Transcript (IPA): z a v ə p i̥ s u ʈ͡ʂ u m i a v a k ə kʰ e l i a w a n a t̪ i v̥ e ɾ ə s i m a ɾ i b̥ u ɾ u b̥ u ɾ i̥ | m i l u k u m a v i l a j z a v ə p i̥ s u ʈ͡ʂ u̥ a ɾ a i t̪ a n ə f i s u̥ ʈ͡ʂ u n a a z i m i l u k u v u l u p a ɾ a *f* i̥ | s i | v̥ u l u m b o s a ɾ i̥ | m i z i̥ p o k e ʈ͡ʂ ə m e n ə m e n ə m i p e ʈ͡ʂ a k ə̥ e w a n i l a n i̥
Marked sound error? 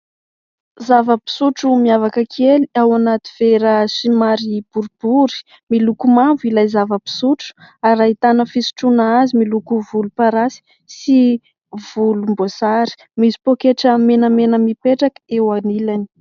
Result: yes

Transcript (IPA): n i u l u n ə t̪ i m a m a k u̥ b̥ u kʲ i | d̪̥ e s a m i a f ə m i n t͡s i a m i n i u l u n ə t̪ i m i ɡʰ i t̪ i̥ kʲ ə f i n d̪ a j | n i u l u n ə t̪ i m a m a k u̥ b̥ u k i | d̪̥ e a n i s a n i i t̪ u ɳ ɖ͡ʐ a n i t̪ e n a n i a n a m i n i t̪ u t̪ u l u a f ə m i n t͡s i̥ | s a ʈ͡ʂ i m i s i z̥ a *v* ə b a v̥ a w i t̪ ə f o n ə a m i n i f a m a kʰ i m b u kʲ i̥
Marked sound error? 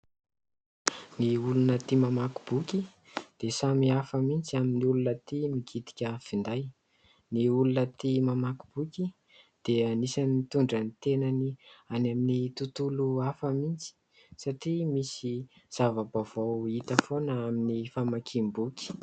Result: no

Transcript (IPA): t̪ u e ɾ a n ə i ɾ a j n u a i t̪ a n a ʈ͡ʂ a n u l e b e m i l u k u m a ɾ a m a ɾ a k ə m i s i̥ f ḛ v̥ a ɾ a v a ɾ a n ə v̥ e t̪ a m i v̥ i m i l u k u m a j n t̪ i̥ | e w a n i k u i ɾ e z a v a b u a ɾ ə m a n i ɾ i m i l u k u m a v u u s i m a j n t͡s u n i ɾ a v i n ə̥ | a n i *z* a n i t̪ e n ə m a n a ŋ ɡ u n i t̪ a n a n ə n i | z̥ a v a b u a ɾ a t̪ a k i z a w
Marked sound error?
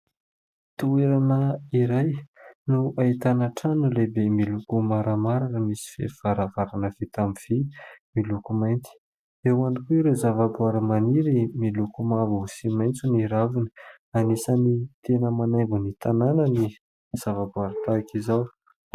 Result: yes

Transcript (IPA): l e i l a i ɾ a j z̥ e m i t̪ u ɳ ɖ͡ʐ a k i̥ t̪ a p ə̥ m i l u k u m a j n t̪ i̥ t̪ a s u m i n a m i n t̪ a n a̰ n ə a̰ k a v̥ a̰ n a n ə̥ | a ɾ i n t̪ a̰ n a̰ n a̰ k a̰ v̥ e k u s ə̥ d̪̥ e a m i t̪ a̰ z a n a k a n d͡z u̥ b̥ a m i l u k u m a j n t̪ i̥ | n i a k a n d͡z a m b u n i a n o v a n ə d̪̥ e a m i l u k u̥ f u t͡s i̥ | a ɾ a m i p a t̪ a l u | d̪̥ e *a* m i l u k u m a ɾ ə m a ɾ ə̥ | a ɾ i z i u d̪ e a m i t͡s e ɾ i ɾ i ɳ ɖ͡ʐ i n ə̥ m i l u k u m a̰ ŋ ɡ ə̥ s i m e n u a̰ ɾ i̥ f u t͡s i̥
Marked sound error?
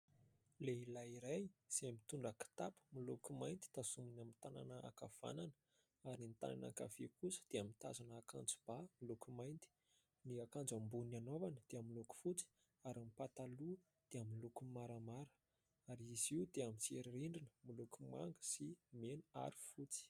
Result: no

